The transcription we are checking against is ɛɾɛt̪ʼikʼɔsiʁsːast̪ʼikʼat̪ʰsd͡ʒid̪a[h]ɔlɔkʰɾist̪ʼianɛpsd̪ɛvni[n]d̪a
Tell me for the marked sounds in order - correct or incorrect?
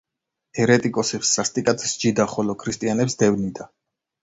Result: incorrect: χ, incorrect: none

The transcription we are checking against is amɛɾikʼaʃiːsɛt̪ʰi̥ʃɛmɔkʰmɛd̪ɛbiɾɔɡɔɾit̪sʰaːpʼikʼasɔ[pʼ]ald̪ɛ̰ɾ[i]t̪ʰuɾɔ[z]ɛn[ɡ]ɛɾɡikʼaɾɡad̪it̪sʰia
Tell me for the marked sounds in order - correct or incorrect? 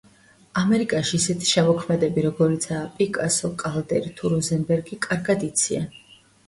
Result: incorrect: kʼ, correct, correct, incorrect: b

